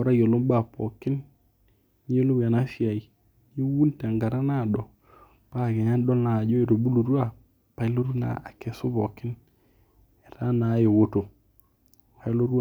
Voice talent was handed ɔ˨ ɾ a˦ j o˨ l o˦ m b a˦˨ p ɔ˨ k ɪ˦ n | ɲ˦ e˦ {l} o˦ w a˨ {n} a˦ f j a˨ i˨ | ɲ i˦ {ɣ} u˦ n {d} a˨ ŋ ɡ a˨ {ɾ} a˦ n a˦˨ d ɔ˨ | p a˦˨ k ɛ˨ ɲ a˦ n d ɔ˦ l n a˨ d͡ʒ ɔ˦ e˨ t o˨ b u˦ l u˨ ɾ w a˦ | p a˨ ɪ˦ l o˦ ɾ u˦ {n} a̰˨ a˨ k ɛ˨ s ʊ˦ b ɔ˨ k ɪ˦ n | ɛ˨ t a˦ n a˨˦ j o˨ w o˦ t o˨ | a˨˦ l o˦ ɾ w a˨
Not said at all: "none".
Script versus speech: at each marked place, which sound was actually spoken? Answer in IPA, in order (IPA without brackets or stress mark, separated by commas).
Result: l, n, w, t, ɾ, n